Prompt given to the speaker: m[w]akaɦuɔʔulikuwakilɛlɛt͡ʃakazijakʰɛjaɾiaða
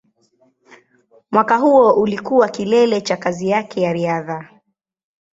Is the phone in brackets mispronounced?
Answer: no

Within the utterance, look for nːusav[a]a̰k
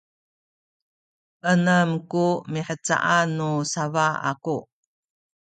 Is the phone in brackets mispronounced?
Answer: no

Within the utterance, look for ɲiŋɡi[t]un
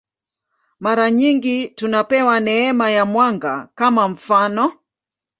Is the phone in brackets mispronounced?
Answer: no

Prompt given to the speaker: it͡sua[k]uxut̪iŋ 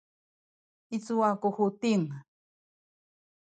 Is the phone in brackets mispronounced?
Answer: no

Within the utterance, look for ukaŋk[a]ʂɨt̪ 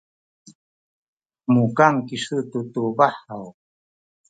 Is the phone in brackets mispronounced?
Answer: yes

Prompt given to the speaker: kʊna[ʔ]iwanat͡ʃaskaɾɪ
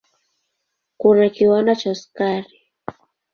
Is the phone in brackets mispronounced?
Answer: yes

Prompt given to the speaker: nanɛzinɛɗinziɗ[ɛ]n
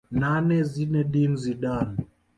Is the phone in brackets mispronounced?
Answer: yes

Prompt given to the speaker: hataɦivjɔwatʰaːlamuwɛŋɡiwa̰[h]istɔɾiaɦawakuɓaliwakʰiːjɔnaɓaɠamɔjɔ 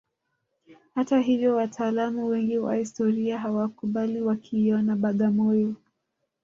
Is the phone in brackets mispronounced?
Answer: no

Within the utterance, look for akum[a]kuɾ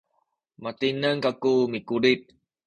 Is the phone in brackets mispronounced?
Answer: yes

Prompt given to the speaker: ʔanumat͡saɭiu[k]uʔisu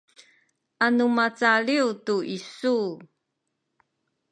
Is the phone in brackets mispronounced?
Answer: yes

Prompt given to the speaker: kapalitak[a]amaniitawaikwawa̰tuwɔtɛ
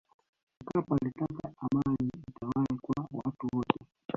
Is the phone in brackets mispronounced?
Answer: no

